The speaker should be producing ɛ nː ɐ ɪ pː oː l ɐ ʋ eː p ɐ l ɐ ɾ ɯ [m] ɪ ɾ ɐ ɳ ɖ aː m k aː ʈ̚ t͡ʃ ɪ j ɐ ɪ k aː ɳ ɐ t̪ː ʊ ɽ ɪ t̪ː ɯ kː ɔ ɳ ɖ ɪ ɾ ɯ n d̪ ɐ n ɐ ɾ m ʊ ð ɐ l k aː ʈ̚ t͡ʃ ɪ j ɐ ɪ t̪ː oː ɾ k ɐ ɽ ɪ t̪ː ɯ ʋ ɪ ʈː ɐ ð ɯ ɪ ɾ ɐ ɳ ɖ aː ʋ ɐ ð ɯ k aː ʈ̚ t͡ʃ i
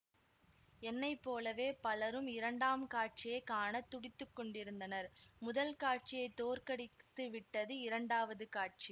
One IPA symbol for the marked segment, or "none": m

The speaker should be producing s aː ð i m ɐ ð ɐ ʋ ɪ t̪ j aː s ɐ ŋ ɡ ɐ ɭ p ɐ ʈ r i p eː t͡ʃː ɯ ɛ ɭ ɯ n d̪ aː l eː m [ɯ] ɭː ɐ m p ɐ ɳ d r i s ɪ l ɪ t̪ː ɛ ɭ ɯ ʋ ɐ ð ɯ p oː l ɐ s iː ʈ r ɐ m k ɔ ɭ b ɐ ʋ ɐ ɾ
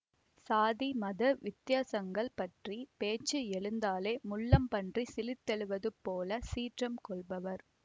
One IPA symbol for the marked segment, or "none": ʊ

